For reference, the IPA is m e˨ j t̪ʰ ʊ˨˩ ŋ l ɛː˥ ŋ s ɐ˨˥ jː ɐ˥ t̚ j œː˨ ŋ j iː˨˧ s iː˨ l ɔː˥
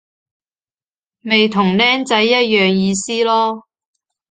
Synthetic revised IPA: m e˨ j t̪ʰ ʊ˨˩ ŋ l ɛː˥ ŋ t͡s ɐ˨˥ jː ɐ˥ t̚ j œː˨ ŋ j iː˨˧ s iː˥ l ɔː˥

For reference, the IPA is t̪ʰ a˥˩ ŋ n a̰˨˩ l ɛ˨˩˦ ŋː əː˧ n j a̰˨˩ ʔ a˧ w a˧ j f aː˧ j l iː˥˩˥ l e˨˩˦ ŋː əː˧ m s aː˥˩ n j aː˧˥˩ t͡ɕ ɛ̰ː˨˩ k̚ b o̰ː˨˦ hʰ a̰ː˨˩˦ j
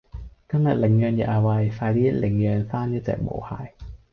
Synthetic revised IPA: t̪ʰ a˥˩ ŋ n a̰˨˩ l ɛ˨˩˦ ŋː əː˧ n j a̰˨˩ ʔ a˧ w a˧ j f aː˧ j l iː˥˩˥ l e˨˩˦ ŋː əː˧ n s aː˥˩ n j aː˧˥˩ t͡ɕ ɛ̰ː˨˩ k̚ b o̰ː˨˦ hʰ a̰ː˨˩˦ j

